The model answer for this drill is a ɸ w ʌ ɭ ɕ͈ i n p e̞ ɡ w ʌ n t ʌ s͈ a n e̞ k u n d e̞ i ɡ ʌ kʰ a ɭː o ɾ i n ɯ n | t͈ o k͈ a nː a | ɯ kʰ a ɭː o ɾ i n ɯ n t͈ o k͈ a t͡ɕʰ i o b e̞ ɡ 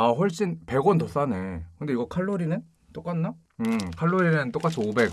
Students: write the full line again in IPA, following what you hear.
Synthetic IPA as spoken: a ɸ w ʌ ɭ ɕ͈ i n p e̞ ɡ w ʌ n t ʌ s͈ a n e̞ k ɯ n d e̞ i ɡ ʌ kʰ a ɭː o ɾ i n ɯ n | t͈ o k͈ a nː a | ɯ kʰ a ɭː o ɾ i n ɯ n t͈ o k͈ a t͡ɕʰ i o b e̞ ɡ